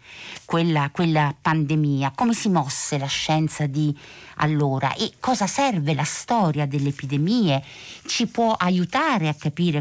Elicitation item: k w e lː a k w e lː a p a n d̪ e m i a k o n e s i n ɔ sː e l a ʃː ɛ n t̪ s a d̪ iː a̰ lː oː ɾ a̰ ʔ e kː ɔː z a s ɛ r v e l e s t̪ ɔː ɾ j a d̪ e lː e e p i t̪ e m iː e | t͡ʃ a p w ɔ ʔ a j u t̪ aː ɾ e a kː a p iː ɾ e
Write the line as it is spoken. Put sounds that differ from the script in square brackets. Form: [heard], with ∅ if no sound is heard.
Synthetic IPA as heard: k w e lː a k w e lː a p a n d̪ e m [iː] a k o [m] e s i [m] ɔ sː e l a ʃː ɛ n t̪ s a d̪ [i] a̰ lː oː ɾ a̰ ʔ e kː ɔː z a s ɛ r v e l [a] s t̪ ɔː ɾ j a d̪ e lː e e p i [d̪] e m iː e | t͡ʃ [i] p w ɔ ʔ a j u t̪ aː ɾ e a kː a p iː ɾ e